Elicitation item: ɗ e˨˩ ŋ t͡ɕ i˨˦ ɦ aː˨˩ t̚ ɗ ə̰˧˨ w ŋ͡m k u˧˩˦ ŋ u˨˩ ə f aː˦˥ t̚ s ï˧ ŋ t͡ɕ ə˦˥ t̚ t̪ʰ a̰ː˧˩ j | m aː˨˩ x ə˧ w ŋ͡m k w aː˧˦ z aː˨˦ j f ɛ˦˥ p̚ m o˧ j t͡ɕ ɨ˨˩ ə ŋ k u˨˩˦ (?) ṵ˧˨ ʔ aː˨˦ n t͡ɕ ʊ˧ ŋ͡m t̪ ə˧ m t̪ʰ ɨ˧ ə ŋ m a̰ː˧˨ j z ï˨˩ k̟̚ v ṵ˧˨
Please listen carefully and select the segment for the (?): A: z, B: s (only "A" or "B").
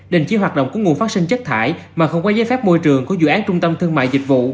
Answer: A